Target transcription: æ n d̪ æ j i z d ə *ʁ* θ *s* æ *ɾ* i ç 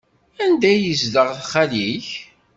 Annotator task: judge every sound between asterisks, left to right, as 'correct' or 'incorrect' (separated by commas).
correct, incorrect, incorrect